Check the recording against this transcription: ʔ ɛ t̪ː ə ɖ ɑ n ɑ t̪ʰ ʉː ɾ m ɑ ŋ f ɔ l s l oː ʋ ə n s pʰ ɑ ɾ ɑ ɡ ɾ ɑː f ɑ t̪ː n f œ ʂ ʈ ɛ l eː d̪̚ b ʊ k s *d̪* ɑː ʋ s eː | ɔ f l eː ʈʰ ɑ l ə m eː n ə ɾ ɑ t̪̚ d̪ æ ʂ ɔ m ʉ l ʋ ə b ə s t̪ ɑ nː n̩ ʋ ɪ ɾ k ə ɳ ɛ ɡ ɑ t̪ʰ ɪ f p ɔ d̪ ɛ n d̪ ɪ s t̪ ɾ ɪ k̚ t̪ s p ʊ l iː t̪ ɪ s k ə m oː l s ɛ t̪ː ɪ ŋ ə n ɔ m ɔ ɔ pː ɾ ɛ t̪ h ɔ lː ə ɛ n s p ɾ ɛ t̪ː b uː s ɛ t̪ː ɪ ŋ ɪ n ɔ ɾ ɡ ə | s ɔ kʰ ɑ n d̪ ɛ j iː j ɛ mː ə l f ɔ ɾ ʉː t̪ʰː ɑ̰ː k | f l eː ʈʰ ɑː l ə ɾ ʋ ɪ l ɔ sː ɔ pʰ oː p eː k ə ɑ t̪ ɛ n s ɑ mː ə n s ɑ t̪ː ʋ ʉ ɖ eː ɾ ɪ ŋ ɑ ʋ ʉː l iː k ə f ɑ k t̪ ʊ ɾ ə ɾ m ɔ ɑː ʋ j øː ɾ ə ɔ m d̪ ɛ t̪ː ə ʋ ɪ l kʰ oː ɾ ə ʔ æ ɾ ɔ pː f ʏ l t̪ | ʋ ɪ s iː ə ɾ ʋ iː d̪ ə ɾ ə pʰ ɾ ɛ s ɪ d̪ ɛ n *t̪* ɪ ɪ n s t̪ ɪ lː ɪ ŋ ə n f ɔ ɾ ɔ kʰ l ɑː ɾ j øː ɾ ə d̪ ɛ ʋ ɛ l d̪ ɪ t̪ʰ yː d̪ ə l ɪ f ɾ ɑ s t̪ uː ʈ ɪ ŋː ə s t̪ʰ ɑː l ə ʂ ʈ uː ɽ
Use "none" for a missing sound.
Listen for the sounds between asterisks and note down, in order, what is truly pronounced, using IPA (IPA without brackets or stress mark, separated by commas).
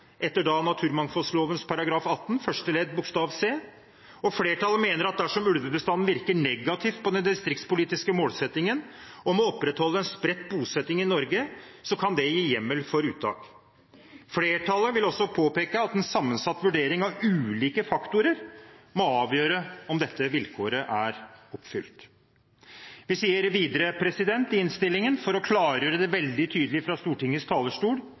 t̪, t̪